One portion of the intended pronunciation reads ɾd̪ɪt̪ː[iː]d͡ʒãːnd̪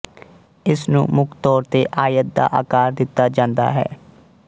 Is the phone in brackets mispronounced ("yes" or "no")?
yes